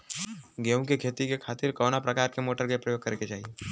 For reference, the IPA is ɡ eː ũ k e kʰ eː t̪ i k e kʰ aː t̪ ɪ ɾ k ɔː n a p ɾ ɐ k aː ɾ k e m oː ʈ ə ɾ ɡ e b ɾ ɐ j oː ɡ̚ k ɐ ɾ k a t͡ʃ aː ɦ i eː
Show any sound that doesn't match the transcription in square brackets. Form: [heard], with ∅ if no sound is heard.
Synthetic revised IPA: ɡ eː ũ k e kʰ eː t̪ i k e kʰ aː t̪ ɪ ɾ k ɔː n a p ɾ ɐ k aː ɾ k e m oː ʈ ə ɾ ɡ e [p] ɾ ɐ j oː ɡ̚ k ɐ ɾ k [e] t͡ʃ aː ɦ i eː